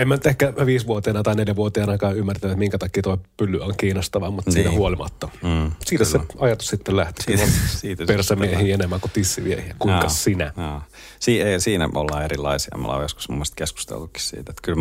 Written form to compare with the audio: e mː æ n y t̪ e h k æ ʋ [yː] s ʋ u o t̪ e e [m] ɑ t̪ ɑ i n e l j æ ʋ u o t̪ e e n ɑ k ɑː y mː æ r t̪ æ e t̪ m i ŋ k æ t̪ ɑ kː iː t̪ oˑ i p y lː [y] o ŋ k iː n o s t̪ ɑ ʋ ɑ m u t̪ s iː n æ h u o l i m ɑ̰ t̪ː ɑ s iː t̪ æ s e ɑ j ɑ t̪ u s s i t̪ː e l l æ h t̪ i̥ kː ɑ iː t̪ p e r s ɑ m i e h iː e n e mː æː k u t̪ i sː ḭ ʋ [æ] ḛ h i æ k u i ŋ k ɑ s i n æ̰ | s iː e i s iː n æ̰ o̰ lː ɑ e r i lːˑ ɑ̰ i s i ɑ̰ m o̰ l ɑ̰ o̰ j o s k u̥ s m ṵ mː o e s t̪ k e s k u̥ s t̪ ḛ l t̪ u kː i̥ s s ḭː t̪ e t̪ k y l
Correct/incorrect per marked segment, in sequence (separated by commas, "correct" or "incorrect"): incorrect, incorrect, correct, incorrect